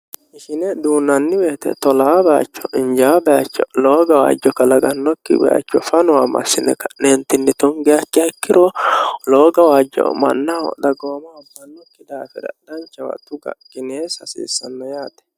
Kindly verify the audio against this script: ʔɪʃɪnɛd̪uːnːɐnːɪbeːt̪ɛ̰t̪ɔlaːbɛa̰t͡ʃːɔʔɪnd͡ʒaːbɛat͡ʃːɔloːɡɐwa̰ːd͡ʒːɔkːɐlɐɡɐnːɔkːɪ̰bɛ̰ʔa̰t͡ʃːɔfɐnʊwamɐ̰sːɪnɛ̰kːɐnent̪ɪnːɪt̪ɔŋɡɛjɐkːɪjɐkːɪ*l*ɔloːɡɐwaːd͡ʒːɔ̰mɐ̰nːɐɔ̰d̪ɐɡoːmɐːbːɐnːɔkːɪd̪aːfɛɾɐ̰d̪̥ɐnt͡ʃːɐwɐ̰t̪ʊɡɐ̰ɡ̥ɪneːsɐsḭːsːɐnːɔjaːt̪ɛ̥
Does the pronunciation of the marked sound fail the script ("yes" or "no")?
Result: yes